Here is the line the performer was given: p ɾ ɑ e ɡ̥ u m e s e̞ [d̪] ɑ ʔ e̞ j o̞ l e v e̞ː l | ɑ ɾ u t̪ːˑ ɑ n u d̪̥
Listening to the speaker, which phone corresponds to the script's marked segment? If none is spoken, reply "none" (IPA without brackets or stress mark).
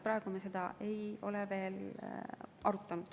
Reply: d̪